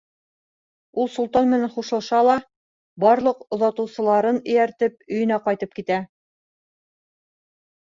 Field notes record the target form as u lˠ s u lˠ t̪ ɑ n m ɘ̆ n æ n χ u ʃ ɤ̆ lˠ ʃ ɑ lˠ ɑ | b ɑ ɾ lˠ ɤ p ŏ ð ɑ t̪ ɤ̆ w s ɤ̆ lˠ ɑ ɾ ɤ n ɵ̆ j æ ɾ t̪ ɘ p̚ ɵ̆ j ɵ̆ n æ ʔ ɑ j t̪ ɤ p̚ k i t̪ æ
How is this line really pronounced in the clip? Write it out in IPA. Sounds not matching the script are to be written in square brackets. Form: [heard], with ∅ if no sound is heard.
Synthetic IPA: u lˠ s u lˠ t̪ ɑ n m ɘ̆ n æ n χ u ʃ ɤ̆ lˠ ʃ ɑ lˠ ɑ | b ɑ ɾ lˠ ɤ [q] ŏ ð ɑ t̪ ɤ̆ w s ɤ̆ lˠ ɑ ɾ ɤ n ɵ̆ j æ ɾ t̪ ɘ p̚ ɵ̆ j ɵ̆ n æ [q] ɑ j t̪ ɤ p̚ k i t̪ æ